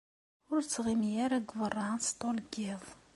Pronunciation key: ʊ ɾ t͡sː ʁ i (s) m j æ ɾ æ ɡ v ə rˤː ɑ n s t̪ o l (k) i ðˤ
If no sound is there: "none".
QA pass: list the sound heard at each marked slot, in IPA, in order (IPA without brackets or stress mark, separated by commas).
none, ɡ